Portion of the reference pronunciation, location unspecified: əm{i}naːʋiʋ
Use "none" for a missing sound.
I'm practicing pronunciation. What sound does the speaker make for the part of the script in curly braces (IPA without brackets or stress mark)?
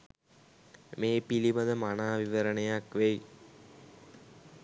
a